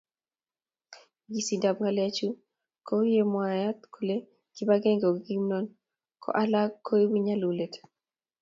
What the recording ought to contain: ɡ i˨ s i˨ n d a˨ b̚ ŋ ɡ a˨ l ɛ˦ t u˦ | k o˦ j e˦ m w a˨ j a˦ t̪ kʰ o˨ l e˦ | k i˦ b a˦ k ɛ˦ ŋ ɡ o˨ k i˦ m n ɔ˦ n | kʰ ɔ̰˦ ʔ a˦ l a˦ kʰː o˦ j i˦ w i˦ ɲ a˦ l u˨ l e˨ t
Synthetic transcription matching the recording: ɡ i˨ s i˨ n d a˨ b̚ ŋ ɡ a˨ l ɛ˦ t͡ʃ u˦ | k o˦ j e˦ m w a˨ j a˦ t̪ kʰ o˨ l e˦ | k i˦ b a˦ ɡ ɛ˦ ŋ ɡ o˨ ɡ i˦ m n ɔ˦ n | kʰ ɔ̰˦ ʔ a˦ l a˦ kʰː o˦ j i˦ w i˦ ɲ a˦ l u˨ l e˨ t